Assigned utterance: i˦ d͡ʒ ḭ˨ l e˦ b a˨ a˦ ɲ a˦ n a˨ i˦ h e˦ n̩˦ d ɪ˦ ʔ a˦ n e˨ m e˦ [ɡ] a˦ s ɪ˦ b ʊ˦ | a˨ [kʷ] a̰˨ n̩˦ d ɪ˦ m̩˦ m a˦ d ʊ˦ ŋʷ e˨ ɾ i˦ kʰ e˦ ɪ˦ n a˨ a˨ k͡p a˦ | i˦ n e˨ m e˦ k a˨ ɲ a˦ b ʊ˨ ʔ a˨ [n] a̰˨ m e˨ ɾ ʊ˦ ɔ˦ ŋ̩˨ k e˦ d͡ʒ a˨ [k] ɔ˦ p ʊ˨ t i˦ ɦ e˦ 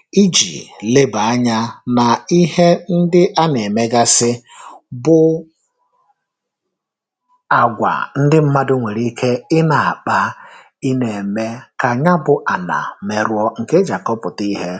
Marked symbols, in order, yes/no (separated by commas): yes, no, yes, yes